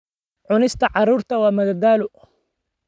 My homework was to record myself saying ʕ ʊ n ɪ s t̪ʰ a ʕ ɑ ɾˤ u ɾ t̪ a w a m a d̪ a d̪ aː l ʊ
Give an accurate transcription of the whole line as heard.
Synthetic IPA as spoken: ʕ ʊ n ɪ s t̪ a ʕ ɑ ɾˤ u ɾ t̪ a w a m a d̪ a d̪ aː l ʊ